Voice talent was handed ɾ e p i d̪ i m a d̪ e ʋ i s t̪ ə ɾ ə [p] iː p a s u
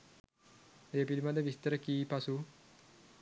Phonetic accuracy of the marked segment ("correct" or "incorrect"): incorrect